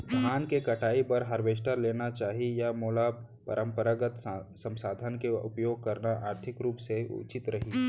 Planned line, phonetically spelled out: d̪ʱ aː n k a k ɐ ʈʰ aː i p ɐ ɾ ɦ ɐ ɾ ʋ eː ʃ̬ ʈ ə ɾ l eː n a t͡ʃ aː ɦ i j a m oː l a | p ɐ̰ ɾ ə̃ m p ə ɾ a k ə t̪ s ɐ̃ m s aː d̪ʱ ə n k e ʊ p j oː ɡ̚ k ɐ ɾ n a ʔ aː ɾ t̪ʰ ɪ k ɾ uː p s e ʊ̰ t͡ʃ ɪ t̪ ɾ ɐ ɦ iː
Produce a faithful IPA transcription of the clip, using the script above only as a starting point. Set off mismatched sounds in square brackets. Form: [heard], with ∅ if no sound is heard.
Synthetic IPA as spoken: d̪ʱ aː n k [e] k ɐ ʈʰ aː i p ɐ ɾ ɦ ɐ ɾ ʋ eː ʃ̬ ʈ ə ɾ l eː n a t͡ʃ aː ɦ i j a m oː l a | p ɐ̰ ɾ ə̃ m p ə ɾ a [ɡ] ə t̪ s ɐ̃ m s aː d̪ʱ ə n k e ʊ p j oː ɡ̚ k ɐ ɾ n a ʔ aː ɾ t̪ʰ ɪ k ɾ uː p s e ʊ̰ t͡ʃ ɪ t̪ ɾ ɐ ɦ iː